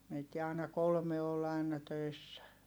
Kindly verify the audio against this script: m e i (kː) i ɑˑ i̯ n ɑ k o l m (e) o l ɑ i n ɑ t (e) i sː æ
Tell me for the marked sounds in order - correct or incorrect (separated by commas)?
incorrect, correct, incorrect